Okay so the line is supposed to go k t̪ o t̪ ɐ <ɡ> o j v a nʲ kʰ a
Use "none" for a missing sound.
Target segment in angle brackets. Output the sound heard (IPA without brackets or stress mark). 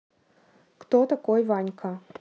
k